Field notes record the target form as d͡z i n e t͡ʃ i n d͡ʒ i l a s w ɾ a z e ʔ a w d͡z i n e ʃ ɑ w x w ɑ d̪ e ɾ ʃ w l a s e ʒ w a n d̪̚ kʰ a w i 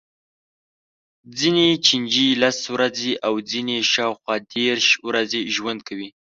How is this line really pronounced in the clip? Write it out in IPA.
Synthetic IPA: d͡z i n e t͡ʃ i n d͡ʒ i l a s w ɾ a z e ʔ a w d͡z i n e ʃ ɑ w x w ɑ d̪ e ɾ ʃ w ɾ a z e ʒ w a n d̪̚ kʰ a w i